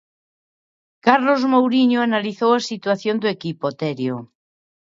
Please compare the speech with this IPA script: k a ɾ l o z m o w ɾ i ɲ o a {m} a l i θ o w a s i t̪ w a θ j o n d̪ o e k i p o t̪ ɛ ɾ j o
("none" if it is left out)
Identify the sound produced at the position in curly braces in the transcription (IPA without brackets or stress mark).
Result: n